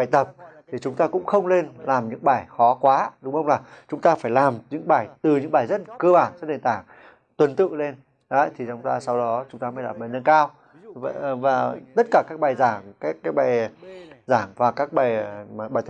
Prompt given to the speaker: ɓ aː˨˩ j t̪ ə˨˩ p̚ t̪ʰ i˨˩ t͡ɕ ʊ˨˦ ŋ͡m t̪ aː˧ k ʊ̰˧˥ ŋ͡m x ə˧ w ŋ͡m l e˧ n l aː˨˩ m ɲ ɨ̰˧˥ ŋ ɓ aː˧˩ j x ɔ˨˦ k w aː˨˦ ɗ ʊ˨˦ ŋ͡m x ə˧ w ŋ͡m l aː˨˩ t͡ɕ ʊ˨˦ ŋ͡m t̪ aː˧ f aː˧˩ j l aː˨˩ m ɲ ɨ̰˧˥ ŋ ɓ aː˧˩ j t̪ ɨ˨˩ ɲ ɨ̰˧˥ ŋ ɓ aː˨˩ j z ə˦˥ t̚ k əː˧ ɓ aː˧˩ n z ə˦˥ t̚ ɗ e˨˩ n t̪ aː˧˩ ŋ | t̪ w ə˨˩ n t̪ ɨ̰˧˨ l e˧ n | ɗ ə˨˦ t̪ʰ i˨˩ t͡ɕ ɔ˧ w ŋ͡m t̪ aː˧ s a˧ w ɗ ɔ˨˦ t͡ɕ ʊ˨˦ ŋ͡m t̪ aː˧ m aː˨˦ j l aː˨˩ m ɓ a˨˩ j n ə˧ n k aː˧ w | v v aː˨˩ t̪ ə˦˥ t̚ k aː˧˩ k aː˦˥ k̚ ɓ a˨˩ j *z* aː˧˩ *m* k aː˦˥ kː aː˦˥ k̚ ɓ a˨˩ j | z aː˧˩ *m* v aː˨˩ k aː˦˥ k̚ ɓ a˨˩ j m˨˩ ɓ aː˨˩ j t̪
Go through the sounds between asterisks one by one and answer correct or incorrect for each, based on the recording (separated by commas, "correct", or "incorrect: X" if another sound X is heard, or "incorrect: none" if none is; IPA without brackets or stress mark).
correct, incorrect: ŋ, incorrect: ŋ